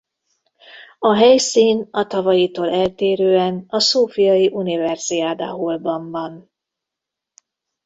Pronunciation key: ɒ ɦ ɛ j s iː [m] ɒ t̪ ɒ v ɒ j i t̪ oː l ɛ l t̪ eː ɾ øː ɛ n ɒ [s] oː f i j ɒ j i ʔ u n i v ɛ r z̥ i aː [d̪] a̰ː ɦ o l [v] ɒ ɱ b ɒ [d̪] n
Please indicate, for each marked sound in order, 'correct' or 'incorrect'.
incorrect: n, correct, correct, incorrect: b, incorrect: none

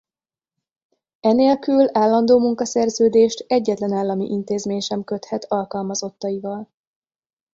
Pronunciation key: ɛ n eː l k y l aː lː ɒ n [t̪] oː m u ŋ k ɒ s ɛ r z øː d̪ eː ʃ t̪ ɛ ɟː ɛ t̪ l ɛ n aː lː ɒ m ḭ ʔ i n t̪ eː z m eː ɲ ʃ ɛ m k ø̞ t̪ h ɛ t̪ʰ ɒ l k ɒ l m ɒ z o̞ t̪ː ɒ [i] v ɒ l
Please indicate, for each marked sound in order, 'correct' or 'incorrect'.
incorrect: d̪, correct

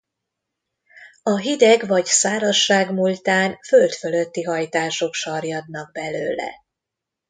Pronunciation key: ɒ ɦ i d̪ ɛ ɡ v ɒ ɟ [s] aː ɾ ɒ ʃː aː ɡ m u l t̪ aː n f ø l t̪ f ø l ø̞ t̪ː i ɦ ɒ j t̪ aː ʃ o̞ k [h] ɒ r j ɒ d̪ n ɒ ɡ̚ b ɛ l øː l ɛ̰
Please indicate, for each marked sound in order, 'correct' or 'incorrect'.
correct, incorrect: ʃ

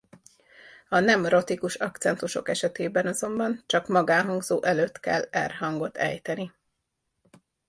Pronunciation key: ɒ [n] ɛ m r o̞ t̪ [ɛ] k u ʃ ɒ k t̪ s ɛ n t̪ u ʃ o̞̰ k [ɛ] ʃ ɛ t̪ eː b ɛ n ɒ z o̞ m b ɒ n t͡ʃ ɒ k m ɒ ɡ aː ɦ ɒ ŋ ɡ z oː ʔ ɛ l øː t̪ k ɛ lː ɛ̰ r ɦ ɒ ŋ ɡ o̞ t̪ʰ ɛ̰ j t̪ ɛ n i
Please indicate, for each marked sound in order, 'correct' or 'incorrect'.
correct, incorrect: i, correct

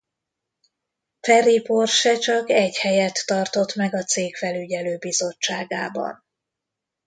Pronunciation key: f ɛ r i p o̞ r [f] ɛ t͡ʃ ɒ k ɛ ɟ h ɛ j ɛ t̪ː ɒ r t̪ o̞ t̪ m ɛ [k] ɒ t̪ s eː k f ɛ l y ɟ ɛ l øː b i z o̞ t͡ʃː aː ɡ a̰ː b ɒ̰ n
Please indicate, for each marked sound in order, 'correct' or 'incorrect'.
incorrect: ʃ, incorrect: ɡ

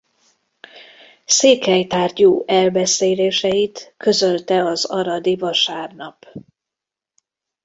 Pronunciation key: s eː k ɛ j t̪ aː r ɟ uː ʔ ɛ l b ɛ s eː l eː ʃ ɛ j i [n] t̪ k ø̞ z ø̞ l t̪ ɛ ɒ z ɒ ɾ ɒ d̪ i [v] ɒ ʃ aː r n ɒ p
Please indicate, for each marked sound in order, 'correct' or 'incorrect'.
incorrect: none, correct

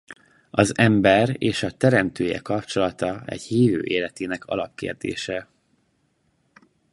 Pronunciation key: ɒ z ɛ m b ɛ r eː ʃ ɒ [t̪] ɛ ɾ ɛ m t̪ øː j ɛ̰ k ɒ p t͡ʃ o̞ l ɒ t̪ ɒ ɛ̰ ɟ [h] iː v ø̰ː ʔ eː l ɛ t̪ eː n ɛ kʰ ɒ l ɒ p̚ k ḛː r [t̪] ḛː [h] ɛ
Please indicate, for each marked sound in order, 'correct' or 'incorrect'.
correct, correct, incorrect: d̪, incorrect: ʃ

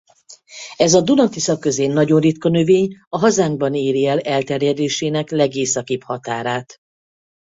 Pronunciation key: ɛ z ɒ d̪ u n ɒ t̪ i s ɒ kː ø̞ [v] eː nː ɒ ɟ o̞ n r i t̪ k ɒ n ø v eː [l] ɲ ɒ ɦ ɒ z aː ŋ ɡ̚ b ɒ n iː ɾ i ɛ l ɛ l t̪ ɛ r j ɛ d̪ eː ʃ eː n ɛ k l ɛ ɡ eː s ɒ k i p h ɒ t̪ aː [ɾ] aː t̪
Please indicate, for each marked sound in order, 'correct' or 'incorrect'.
incorrect: z, incorrect: none, correct

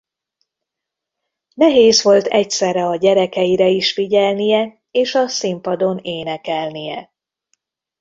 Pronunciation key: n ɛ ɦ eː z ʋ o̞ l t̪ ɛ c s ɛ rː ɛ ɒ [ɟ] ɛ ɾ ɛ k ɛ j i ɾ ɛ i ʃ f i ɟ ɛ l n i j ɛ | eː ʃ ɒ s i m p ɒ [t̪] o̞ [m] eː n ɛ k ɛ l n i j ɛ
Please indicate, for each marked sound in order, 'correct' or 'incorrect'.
correct, incorrect: d̪, incorrect: n

